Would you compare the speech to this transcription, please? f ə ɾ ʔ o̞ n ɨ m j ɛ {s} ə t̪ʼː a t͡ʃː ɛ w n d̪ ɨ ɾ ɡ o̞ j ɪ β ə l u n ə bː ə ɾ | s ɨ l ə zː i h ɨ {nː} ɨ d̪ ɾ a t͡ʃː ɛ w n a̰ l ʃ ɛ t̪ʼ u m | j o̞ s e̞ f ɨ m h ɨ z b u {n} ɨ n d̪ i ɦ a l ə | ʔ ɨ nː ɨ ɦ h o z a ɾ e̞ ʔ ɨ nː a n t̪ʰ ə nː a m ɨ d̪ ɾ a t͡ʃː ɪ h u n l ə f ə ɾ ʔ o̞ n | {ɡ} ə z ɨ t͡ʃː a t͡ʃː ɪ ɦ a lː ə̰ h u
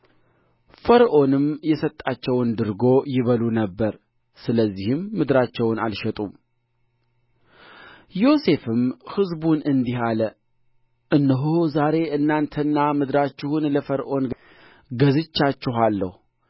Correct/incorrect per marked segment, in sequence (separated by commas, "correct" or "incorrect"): correct, incorrect, correct, correct